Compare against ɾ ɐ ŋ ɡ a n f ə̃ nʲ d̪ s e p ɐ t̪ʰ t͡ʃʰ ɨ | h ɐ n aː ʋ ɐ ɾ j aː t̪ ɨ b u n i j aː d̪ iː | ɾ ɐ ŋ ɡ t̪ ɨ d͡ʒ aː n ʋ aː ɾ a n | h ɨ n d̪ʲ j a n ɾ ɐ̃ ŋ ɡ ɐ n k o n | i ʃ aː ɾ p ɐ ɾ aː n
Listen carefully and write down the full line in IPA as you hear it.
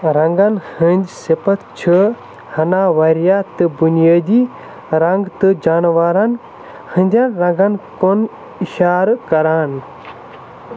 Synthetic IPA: ɾ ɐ ŋ ɡ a n h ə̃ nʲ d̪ s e p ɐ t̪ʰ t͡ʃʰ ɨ | h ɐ n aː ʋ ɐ ɾ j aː t̪ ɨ b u n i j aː d̪ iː | ɾ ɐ ŋ ɡ t̪ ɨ d͡ʒ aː n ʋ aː ɾ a n | h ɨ n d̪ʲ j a n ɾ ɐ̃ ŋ ɡ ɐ n k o n | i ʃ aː ɾ k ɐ ɾ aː n